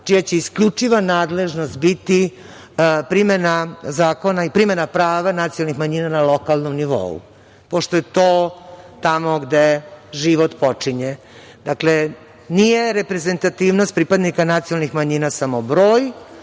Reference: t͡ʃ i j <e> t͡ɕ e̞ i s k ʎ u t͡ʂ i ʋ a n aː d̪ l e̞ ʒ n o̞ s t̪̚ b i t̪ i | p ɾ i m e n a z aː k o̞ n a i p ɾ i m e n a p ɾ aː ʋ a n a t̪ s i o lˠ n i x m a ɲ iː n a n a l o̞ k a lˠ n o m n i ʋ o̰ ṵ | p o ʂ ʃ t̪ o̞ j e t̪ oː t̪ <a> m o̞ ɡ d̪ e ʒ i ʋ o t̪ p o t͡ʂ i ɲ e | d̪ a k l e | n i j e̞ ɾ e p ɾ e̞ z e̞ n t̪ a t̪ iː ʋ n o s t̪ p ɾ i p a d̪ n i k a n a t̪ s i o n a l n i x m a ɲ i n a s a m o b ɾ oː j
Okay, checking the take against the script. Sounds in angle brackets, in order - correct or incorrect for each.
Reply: incorrect, correct

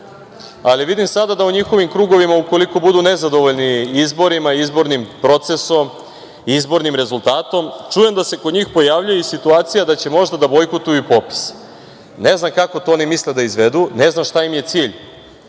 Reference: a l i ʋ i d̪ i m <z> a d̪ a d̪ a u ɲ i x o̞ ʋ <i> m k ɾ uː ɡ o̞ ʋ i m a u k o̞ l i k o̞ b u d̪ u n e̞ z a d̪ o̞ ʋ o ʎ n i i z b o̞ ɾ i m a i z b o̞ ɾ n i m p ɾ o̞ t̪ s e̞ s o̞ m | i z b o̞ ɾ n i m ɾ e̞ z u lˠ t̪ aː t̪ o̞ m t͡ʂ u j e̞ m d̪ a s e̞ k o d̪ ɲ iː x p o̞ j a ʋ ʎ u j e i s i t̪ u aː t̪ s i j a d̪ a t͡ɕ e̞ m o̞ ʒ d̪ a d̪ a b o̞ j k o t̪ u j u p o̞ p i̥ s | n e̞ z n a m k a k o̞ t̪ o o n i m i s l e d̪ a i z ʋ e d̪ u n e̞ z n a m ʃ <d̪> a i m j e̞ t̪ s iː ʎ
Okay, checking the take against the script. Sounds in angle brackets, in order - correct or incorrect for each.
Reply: incorrect, correct, incorrect

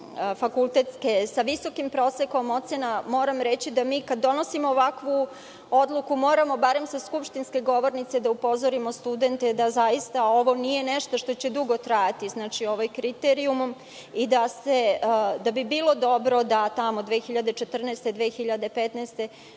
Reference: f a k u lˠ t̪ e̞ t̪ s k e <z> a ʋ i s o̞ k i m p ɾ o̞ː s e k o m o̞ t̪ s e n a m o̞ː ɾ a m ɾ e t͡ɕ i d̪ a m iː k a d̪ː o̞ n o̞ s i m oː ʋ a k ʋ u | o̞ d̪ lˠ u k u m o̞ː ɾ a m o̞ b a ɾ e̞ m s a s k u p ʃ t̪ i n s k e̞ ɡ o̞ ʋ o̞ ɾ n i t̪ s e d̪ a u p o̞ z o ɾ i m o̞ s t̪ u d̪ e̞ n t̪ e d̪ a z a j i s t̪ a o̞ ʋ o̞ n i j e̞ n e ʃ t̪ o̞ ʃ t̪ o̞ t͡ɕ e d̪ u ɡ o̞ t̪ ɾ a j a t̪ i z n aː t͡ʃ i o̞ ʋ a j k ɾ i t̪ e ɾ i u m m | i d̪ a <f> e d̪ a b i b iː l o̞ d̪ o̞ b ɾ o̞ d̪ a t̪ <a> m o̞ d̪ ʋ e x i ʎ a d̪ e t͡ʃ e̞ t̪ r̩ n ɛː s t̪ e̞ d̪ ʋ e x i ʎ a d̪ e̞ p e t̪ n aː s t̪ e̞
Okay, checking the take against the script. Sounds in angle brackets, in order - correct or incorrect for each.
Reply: incorrect, incorrect, correct

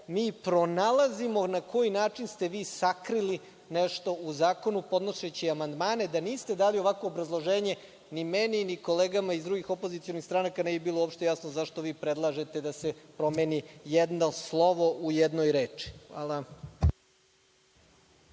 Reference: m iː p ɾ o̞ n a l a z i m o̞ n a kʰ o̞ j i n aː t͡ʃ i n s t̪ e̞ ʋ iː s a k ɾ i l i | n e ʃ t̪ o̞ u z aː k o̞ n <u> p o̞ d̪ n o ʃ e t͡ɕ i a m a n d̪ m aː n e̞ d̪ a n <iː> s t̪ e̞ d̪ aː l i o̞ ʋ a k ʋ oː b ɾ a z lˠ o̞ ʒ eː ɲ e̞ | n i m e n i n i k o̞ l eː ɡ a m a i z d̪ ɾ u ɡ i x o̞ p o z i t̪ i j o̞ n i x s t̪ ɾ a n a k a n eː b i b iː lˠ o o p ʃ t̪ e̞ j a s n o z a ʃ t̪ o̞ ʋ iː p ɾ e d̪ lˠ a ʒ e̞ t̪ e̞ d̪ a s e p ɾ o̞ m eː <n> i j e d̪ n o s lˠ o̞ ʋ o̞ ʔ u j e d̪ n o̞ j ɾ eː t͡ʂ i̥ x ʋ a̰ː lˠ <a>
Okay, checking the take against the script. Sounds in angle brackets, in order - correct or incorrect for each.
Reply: correct, correct, correct, correct

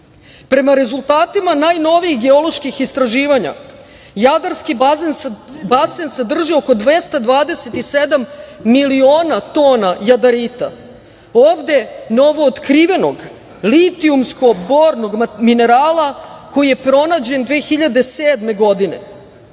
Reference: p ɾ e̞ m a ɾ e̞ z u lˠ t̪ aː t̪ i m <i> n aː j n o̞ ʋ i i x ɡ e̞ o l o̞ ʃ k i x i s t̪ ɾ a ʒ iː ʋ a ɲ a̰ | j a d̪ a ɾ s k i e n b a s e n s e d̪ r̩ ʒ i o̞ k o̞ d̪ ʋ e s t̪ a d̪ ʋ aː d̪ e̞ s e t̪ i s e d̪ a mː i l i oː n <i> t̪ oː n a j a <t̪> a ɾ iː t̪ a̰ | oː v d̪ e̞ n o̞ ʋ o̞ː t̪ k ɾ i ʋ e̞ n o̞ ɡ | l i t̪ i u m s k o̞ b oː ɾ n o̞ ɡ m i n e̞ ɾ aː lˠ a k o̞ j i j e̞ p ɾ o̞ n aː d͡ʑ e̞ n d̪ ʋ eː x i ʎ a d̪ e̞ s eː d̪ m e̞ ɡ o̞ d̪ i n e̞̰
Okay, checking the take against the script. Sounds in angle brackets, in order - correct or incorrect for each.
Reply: incorrect, incorrect, incorrect

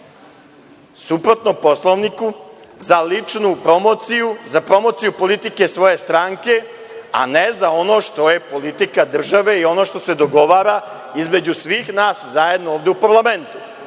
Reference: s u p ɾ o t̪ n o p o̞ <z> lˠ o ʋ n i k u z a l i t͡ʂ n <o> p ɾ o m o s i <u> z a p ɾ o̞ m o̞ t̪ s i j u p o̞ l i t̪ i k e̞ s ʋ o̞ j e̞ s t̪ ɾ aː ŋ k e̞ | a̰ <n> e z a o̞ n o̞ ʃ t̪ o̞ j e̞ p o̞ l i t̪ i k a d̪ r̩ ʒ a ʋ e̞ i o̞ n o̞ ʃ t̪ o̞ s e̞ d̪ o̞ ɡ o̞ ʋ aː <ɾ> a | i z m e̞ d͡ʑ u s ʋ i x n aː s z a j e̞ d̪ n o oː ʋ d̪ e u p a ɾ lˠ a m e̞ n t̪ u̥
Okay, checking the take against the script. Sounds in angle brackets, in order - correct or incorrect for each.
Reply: incorrect, incorrect, correct, correct, correct

